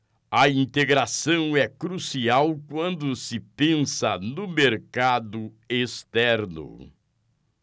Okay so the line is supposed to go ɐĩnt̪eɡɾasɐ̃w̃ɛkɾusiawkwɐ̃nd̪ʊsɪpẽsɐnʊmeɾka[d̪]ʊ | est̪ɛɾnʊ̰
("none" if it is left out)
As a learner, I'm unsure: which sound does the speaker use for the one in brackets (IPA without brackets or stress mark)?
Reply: d̪